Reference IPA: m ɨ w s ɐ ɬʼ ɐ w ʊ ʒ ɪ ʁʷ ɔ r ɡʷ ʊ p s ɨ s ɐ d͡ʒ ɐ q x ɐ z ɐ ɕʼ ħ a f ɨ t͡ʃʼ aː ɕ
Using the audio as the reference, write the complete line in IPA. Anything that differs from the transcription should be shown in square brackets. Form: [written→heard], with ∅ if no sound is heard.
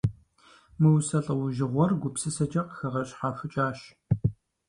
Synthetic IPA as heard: m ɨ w s ɐ ɬʼ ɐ w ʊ ʒ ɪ ʁʷ ɔ r ɡʷ ʊ p s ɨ s ɐ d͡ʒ ɐ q x ɐ [z→ʁ] ɐ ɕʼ ħ a f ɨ t͡ʃʼ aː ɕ